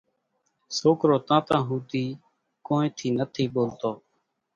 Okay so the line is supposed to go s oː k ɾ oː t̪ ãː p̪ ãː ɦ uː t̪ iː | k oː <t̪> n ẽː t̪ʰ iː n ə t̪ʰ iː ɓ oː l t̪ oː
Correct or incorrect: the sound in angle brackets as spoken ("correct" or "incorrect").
incorrect